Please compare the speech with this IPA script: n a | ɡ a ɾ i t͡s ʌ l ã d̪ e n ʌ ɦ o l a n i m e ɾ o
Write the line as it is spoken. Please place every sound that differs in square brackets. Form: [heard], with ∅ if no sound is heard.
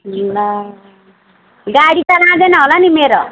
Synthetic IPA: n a | ɡ a [ɽ] i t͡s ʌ l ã d̪ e n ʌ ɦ o l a n i m e ɾ o